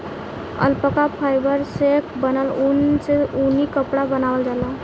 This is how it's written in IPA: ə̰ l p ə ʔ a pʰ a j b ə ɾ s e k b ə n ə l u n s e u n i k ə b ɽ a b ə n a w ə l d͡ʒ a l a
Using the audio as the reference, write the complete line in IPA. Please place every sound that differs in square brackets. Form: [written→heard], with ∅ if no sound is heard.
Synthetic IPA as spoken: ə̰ l p ə [ʔ→k] a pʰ a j b ə ɾ s e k b ə n ə l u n s e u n i k ə [b→p] ɽ a b ə n a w ə l d͡ʒ a l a